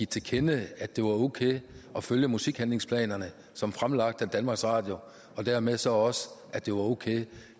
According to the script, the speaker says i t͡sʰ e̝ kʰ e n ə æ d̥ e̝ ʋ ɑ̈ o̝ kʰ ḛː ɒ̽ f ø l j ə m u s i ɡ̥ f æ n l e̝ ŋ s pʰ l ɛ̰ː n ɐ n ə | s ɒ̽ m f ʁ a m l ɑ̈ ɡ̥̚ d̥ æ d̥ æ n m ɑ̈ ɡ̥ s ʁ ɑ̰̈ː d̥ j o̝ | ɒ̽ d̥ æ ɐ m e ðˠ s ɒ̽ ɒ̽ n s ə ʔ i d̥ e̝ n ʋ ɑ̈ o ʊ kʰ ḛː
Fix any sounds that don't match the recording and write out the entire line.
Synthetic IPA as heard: i t͡sʰ e̝ kʰ e n ə æ d̥ e̝ ʋ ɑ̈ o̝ kʰ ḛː ɒ̽ f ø l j ə m u s i ɡ̥ h æ n l e̝ ŋ s pʰ l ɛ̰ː n ɐ n ə | s ɒ̽ m f ʁ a m l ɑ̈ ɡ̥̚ d̥ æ d̥ æ n m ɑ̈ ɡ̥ s ʁ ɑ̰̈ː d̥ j o̝ | ɒ̽ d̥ æ ɐ m e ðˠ s ɒ̽ ɒ̽ s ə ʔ æ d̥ e̝ ʋ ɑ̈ o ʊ kʰ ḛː